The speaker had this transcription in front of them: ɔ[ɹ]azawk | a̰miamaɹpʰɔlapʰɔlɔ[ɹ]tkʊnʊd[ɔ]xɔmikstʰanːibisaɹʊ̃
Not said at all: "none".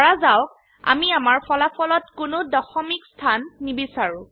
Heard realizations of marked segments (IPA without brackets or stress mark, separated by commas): ɹ, none, ɔ